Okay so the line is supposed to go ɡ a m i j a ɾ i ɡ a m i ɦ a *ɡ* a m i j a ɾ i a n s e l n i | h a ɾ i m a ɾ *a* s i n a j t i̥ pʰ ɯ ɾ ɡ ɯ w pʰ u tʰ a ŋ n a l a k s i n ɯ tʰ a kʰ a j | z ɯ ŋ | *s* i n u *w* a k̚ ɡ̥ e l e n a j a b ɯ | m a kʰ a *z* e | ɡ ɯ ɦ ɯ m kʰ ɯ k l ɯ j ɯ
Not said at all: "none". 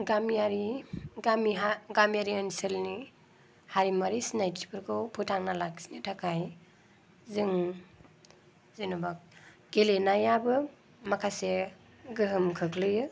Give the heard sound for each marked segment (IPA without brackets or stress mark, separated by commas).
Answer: ɡ, i, z, b, s